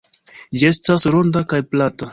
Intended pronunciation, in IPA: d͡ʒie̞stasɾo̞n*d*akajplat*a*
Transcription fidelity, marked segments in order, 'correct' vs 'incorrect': correct, correct

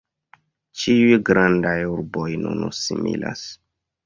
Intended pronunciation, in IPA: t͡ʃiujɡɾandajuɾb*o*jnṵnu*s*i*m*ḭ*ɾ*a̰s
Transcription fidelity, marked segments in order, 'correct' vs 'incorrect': correct, correct, correct, incorrect: l

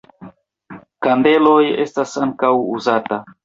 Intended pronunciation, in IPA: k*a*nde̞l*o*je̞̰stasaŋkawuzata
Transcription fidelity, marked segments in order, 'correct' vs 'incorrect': correct, correct

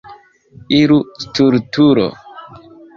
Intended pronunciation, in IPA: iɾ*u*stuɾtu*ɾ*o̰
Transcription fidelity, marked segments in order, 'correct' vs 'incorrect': correct, correct

